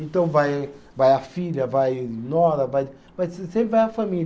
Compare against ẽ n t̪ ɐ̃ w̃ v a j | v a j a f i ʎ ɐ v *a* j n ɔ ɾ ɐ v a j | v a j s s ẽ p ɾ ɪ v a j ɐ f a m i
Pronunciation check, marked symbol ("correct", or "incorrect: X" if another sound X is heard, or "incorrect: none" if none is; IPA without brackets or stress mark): correct